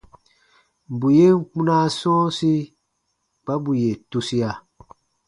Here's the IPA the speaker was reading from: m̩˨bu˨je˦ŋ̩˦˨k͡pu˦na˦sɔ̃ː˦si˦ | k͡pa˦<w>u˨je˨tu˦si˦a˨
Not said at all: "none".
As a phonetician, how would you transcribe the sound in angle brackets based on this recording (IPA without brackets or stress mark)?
b